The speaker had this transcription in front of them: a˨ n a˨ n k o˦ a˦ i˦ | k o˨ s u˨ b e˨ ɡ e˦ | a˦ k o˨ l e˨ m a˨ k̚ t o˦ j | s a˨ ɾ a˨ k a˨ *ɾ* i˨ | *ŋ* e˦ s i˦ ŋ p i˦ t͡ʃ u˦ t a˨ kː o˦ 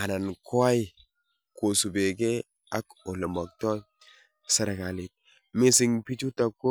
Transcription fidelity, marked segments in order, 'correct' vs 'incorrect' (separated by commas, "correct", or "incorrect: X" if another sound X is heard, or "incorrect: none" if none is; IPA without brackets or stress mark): incorrect: l, incorrect: m